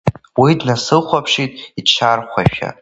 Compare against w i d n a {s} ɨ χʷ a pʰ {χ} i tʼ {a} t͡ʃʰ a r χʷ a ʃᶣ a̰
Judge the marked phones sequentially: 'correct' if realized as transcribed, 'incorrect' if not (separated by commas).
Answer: correct, incorrect, incorrect